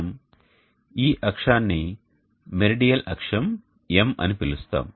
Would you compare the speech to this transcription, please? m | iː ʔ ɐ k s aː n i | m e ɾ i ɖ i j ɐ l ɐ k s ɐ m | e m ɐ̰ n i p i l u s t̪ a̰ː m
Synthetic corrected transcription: m | iː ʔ ɐ k ʂ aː nː i | m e ɾ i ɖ i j ɐ l ɐ k ʂ ɐ m | e m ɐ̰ n i p i l u s t̪ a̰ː m